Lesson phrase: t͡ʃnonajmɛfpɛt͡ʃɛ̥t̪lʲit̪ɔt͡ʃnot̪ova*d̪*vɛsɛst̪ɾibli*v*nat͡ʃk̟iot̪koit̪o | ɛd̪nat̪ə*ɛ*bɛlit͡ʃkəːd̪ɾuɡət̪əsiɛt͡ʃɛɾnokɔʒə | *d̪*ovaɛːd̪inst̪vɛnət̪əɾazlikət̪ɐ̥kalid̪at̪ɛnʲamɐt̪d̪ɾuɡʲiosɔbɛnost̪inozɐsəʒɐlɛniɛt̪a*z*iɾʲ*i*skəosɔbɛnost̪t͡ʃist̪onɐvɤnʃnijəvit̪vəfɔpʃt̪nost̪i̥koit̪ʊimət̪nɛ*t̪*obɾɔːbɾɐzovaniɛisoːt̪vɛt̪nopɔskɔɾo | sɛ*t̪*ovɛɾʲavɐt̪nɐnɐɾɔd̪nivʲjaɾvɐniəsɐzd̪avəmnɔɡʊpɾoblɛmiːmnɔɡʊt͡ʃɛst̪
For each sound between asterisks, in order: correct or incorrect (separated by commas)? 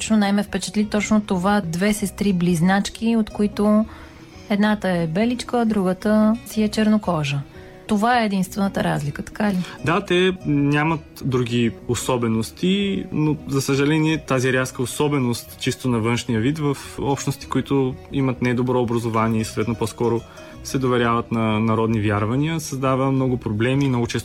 correct, incorrect, correct, incorrect, correct, incorrect, incorrect, incorrect